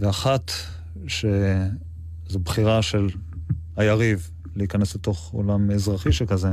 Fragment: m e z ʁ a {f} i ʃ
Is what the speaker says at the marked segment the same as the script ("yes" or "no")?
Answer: no